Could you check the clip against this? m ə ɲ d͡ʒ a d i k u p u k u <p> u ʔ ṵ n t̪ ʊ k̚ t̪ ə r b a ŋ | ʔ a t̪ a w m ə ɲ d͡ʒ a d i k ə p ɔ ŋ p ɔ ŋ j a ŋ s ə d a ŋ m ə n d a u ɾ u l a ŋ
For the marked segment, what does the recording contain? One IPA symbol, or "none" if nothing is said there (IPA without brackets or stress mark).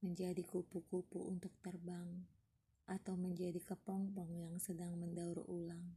p